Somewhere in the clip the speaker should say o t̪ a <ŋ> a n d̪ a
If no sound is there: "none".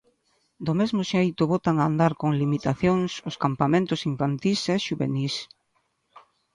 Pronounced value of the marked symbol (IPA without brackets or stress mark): ŋ